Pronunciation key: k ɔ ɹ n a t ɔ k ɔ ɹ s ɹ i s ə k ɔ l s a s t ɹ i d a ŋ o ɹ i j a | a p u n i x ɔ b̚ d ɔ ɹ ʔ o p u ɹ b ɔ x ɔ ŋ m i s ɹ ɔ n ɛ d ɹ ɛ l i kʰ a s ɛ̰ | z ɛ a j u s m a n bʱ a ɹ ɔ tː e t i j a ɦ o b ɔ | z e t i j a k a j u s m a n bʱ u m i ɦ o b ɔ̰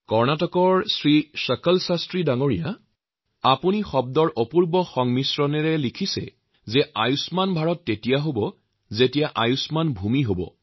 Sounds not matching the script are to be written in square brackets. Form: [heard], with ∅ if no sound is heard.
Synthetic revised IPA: k ɔ ɹ n a t ɔ k ɔ ɹ s ɹ i s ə k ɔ l s a s t ɹ i d a ŋ o ɹ i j a | a p u n i x ɔ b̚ d ɔ ɹ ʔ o p u ɹ b ɔ x ɔ ŋ m i s ɹ ɔ n ɛ [∅] ɹ ɛ l i kʰ [i] s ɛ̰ | z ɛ a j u s m a n bʱ a ɹ ɔ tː e t i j a ɦ o b ɔ | z e t i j a [ʔ] a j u s m a n bʱ u m i ɦ o b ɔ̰